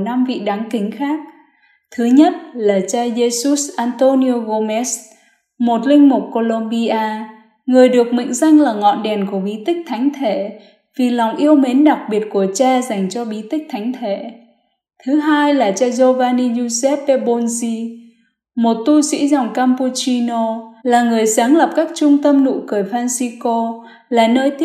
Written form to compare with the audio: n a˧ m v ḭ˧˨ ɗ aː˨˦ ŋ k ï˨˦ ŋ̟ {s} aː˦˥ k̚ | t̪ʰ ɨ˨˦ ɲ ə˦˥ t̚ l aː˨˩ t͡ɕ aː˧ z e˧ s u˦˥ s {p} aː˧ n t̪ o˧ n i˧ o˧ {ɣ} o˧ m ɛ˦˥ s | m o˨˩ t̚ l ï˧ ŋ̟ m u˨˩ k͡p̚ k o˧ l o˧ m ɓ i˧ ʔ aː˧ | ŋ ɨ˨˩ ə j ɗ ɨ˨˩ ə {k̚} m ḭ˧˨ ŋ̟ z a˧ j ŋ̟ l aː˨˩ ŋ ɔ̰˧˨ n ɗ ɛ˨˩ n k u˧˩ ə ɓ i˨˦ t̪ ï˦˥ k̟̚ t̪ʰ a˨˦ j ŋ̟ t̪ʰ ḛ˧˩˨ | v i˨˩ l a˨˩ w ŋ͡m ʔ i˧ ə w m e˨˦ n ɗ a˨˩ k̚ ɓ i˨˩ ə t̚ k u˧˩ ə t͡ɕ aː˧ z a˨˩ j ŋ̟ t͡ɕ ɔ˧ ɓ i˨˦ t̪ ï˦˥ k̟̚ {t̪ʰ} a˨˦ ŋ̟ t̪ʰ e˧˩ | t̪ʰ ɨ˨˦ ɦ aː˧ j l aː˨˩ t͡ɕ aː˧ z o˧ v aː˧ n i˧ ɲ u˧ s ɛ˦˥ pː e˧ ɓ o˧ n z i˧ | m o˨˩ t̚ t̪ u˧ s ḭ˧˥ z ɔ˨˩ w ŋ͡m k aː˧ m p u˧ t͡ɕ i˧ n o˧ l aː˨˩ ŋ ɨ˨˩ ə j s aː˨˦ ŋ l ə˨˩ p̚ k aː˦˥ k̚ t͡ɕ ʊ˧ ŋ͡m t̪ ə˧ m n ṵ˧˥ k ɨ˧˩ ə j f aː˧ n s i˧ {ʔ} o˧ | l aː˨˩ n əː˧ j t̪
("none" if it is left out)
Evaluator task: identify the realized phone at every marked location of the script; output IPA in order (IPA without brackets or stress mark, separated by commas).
x, ʔ, ɣ, k̚, t̪ʰ, k